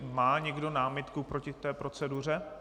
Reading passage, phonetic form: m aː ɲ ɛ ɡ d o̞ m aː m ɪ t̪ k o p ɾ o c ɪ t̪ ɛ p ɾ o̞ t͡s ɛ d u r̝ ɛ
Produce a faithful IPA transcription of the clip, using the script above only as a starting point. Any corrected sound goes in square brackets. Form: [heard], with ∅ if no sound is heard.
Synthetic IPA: m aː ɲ ɛ ɡ d o̞ [n] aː m ɪ t̪ k [u] p ɾ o c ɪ t̪ [ɛː] p ɾ o̞ t͡s ɛ d u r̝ ɛ